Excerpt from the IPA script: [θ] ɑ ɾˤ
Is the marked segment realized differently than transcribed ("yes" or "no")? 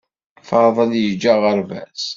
yes